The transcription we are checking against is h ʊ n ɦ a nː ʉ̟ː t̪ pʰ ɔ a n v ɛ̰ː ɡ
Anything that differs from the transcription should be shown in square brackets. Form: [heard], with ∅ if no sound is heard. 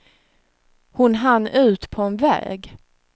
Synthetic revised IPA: h ʊ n ɦ a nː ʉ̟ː t̪ pʰ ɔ [ɛ] n v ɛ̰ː ɡ